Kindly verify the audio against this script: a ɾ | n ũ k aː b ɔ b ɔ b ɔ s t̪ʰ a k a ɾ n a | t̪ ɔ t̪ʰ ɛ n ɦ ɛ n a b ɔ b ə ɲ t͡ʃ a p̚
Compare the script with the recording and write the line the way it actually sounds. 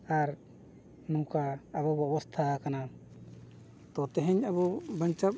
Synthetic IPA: a ɾ | n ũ k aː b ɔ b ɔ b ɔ s t̪ʰ a k a n a | t̪ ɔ t̪ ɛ ɦ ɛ ɲ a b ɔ b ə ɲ t͡ʃ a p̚